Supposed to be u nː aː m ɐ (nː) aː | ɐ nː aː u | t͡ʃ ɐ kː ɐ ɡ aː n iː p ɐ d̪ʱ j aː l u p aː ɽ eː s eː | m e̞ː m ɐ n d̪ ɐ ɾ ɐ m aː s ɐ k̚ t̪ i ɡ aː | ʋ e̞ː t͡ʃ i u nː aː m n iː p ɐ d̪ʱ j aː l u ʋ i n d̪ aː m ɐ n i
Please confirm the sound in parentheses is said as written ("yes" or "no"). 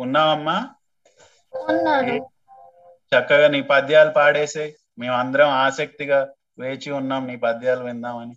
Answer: no